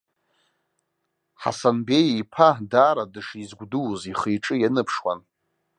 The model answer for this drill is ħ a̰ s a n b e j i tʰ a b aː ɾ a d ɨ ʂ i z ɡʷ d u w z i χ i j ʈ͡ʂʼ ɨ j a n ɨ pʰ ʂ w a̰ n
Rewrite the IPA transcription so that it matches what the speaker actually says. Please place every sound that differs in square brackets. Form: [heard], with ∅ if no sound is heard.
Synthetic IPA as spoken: ħ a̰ s a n b e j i [pʰ] a [d] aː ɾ a d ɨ ʂ i z ɡʷ d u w z i χ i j ʈ͡ʂʼ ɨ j a n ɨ pʰ ʂ w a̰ n